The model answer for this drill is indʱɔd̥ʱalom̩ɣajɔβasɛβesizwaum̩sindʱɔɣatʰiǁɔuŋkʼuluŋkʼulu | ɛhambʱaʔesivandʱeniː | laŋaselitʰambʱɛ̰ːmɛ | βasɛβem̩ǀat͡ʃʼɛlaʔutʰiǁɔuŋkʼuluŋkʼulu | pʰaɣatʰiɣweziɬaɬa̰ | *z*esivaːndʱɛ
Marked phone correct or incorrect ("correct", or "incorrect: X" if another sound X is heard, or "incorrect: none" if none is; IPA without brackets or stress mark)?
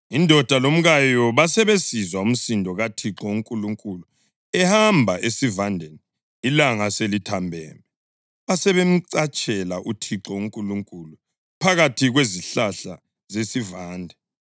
correct